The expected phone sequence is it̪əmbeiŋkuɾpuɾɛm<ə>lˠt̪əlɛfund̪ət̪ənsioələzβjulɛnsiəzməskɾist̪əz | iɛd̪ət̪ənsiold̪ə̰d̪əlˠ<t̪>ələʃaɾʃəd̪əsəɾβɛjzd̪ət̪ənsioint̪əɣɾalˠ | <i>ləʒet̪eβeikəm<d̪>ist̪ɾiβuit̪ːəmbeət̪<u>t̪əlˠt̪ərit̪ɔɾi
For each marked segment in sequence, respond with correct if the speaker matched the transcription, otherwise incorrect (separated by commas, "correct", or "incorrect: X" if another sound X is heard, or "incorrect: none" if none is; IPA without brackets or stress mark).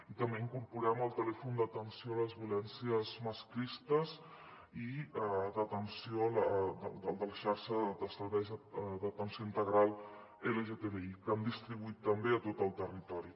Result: correct, incorrect: d̪, incorrect: e, correct, incorrect: o